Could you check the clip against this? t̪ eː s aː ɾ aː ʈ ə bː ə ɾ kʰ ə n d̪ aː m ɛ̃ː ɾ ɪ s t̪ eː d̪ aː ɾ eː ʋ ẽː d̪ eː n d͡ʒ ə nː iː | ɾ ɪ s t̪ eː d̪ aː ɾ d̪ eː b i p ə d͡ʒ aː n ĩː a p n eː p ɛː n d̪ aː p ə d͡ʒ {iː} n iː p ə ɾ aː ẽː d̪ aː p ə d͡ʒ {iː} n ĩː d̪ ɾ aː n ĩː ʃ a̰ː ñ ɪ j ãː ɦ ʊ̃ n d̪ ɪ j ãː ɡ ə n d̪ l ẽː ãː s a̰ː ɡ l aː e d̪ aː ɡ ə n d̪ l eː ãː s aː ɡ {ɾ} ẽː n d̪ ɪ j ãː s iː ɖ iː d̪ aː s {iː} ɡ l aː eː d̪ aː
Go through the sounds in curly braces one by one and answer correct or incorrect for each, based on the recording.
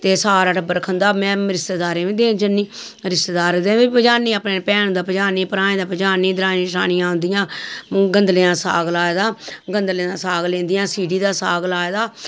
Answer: incorrect, incorrect, incorrect, incorrect

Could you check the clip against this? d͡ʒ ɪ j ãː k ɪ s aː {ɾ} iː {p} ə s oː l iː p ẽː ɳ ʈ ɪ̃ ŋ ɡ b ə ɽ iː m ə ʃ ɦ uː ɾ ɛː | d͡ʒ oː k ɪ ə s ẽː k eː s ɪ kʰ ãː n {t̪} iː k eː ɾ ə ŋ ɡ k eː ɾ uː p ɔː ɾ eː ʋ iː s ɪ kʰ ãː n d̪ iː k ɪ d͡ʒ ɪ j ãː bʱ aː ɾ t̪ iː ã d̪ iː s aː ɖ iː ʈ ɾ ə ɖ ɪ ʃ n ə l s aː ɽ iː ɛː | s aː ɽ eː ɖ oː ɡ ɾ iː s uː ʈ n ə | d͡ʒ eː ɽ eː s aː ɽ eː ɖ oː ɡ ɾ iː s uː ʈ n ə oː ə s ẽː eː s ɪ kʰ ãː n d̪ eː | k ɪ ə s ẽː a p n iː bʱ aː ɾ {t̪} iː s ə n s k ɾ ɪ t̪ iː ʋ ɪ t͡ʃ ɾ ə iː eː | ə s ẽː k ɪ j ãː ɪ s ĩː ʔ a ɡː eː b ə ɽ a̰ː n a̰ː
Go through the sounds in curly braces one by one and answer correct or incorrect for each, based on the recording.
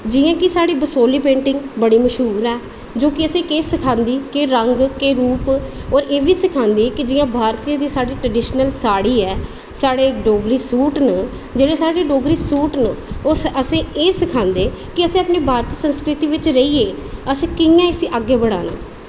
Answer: incorrect, incorrect, incorrect, correct

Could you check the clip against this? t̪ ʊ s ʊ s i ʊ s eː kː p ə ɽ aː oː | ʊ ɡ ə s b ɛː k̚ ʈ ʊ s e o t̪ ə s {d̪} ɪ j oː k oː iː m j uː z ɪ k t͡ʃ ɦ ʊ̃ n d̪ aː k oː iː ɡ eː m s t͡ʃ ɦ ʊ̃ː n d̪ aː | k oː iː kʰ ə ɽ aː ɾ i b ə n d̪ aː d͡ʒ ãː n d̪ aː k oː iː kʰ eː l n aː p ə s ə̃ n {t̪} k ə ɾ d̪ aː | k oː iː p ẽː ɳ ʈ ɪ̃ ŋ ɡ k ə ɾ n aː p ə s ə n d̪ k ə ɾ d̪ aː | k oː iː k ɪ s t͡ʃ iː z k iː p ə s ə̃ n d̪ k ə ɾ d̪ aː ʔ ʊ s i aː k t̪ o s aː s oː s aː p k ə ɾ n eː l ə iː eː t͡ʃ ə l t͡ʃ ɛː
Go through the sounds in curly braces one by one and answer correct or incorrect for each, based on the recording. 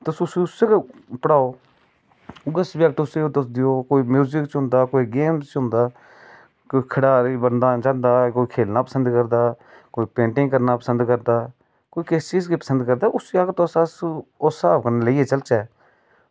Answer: correct, incorrect

